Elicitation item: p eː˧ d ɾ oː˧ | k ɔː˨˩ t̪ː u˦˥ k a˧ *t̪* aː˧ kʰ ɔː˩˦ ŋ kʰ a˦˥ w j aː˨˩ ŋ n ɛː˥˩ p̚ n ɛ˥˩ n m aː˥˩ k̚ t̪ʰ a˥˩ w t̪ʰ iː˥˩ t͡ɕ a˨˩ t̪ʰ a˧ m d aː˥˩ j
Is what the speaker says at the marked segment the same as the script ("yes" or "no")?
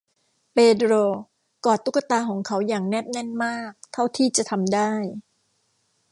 yes